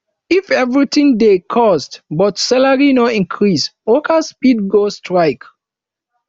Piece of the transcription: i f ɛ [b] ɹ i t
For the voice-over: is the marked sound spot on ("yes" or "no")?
no